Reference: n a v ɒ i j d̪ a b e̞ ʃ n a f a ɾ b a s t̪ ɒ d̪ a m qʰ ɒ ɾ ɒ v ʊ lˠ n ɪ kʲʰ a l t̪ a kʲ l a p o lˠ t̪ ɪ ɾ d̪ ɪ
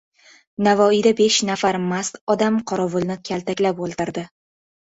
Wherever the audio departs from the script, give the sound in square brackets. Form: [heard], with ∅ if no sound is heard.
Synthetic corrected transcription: n a v ɒ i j d̪ a b e̞ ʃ n a f a ɾ [m] a s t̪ ɒ d̪ a m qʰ ɒ ɾ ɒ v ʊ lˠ n ɪ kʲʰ a l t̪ a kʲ l a p o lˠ t̪ ɪ ɾ d̪ ɪ